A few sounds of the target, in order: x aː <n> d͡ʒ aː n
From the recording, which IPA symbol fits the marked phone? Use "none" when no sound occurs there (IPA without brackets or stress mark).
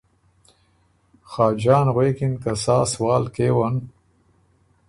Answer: none